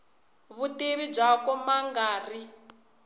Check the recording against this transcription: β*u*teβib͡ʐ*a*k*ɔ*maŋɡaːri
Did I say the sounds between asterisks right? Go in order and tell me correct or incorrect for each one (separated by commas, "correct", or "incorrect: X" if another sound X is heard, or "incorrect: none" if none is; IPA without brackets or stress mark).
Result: correct, correct, correct